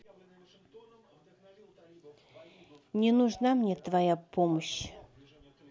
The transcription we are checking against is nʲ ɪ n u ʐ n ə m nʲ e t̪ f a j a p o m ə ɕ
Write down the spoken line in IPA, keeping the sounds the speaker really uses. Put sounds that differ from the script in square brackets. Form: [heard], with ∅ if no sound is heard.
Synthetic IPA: nʲ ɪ n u ʐ n [a] m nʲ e t̪ [v] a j a p o m ə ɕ